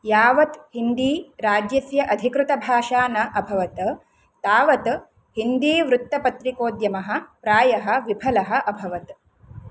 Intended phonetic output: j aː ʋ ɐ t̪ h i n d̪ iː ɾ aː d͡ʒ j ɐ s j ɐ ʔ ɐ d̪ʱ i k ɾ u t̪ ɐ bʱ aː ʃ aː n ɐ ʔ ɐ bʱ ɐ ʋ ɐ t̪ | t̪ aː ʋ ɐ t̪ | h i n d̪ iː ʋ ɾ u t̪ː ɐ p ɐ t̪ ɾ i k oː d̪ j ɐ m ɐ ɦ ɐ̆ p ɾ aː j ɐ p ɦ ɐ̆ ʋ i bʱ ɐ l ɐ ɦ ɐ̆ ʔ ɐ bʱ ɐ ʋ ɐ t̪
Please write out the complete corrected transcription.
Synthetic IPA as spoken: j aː ʋ ɐ t̪ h i n d̪ iː ɾ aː d͡ʒ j ɐ s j ɐ ʔ ɐ d̪ʱ i k ɾ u t̪ ɐ bʱ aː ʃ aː n ɐ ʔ ɐ bʱ ɐ ʋ ɐ t̪ | t̪ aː ʋ ɐ t̪ | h i n d̪ iː ʋ ɾ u t̪ː ɐ p ɐ t̪ ɾ i k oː d̪ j ɐ m ɐ ɦ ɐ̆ p ɾ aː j ɐ ɦ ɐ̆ ʋ i bʱ ɐ l ɐ ɦ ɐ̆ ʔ ɐ bʱ ɐ ʋ ɐ t̪